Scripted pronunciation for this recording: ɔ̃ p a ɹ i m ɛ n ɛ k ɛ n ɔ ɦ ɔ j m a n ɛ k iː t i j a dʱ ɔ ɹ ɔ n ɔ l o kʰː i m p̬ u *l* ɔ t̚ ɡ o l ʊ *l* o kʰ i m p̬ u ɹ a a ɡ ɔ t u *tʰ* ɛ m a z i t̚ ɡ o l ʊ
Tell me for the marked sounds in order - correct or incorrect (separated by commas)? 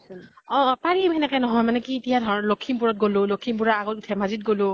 incorrect, correct, correct